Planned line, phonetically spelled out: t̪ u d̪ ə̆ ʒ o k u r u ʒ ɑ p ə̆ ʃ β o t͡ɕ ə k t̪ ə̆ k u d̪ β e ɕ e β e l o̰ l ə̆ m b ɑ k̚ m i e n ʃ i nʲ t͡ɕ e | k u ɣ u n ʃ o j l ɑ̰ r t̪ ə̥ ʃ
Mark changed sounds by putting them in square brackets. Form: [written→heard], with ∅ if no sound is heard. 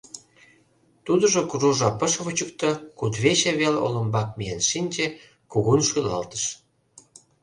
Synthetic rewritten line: t̪ u d̪ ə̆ ʒ o k u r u ʒ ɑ p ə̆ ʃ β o t͡ɕ ə k t̪ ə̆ k u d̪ β e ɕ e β e l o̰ l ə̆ m b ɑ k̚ m i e n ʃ i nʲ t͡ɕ e | k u ɣ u n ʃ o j l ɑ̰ [r→l] t̪ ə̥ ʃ